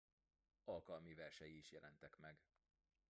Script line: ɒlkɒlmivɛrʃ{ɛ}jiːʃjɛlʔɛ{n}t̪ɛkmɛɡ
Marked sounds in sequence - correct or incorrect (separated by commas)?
correct, correct